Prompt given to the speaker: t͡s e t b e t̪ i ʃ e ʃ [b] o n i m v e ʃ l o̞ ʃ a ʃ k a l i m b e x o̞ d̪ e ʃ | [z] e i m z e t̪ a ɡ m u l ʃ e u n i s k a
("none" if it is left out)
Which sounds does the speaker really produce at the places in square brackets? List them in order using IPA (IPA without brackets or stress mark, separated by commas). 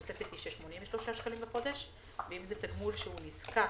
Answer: m, v